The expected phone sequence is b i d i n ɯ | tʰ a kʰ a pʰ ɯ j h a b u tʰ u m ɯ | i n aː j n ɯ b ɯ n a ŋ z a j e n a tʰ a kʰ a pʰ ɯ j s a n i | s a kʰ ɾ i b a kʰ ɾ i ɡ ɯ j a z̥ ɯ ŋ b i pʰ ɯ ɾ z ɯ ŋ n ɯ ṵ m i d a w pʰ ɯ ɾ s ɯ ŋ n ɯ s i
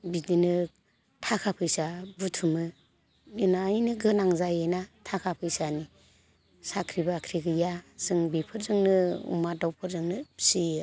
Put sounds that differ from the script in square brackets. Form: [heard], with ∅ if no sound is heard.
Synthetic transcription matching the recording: b i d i n ɯ | tʰ a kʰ a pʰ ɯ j [s] a b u tʰ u m ɯ | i n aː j n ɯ [ɡ] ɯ n a ŋ z a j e n a tʰ a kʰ a pʰ ɯ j s a n i | s a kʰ ɾ i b a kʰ ɾ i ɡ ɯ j a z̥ ɯ ŋ b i pʰ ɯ ɾ z ɯ ŋ n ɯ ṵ m [a] d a w pʰ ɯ ɾ [z] ɯ ŋ n ɯ s i